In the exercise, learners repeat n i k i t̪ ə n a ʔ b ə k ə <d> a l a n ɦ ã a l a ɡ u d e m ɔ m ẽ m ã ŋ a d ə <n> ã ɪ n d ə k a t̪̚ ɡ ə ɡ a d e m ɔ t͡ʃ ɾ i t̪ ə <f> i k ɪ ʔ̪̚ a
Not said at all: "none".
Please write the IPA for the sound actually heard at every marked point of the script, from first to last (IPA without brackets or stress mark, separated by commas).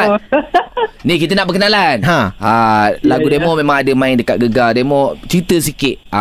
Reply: n, m, s